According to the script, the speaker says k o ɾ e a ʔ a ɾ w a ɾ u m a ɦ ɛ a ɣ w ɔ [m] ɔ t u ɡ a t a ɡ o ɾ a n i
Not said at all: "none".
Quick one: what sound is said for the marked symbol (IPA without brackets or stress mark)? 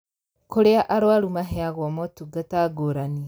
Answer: m